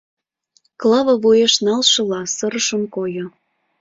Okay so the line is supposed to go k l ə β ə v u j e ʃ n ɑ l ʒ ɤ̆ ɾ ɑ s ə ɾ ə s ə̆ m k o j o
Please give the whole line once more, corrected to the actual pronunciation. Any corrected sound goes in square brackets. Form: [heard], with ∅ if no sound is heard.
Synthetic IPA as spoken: k l [ɑ] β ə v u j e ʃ n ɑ l [ʃ] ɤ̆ [l] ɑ s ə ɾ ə [ʃ] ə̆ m k o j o